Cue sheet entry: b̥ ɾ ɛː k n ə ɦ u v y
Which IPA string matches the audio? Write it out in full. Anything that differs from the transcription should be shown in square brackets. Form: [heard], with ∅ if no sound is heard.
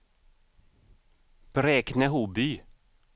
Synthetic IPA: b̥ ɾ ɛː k n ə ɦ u [b] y